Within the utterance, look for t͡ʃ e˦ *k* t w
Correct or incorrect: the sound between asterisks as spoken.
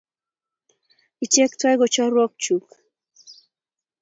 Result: correct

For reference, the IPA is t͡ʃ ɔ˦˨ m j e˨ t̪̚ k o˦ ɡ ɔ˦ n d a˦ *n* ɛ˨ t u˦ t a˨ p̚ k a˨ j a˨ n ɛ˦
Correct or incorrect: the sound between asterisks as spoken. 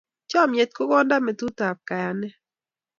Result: incorrect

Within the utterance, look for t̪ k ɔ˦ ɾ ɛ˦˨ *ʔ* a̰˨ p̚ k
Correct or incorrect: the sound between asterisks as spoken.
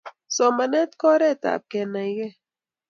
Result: incorrect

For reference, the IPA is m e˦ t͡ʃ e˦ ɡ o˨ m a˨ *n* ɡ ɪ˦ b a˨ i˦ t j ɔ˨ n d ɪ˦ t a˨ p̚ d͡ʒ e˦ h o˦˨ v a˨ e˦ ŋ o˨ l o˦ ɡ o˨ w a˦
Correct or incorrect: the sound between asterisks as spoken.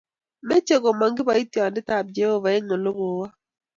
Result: incorrect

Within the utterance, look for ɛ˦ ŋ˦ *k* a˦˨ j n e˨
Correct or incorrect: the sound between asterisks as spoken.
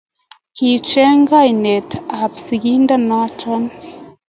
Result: incorrect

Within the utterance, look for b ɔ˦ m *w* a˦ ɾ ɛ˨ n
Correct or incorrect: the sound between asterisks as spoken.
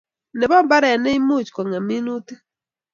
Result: incorrect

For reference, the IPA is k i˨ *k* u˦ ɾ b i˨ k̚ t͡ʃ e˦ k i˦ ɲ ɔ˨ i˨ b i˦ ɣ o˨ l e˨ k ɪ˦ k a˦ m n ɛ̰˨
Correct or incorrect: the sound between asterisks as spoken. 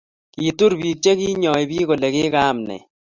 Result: incorrect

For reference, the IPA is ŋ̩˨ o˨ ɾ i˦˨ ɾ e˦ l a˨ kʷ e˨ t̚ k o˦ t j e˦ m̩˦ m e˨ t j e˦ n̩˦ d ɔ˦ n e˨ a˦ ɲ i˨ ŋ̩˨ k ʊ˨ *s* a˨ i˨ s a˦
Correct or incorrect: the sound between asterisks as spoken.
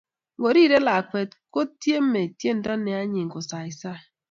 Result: correct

